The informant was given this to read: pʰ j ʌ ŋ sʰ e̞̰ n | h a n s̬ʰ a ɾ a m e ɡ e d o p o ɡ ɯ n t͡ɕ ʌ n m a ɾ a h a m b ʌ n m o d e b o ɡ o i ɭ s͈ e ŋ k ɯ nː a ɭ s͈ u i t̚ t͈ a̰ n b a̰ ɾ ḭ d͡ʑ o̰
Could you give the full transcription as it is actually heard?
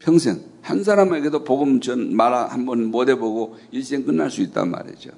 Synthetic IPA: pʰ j ʌ ŋ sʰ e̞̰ ŋ | h a n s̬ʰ a ɾ a m e ɡ e d o p o ɡ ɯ m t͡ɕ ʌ n m a ɾ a h a m b ʌ n m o d e b o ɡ o i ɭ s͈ e ŋ k ɯ nː a ɭ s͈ u i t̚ t͈ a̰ n m a̰ ɾ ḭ d͡ʑ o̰